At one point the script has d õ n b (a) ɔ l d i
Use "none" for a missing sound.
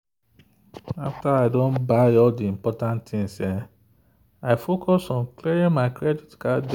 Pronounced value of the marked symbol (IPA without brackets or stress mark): a